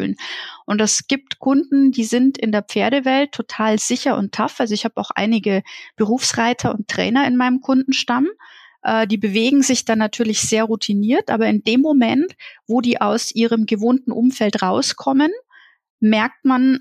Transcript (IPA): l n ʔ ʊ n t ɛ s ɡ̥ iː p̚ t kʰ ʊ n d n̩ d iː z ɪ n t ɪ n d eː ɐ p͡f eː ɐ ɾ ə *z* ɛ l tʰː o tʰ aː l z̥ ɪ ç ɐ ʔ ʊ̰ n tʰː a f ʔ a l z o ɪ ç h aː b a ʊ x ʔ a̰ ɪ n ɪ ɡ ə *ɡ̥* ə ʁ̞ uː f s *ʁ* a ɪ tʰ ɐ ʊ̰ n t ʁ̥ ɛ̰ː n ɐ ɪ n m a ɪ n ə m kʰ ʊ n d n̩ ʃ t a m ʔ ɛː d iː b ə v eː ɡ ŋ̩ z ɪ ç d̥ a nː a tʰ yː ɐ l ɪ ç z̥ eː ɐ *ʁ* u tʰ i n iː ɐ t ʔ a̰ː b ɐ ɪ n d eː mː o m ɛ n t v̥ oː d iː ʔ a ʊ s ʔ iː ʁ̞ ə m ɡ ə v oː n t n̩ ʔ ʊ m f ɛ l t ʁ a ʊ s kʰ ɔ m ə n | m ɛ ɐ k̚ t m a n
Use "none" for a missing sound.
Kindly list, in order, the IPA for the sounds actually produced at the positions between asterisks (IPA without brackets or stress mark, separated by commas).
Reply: v, b̥, ʁ, ʁ